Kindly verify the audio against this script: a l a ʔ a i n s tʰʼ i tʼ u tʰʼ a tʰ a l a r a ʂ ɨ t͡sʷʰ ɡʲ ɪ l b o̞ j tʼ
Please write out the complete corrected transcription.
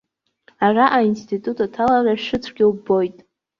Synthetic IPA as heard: a r a ʔ a i n s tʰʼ i tʼ u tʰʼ a tʰ a l a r a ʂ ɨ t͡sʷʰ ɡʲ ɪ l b o̞ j tʼ